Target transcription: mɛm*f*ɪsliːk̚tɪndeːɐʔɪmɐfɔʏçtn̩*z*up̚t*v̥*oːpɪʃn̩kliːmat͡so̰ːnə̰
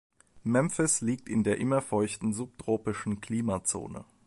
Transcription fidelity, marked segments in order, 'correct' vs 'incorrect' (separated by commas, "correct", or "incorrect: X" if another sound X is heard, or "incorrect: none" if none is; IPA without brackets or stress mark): correct, correct, incorrect: ʁ̥